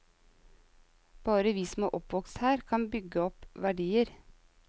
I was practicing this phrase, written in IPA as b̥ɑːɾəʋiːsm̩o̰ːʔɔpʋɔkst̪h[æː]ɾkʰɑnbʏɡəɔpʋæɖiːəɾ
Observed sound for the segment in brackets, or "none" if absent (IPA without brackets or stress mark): æː